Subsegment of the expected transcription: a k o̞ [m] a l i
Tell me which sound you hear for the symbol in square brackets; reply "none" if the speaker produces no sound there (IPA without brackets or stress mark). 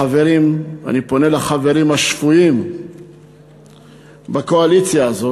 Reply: none